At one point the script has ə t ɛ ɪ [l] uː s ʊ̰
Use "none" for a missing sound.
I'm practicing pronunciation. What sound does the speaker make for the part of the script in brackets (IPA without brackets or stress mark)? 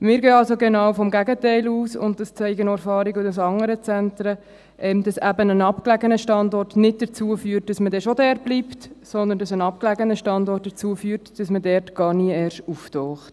l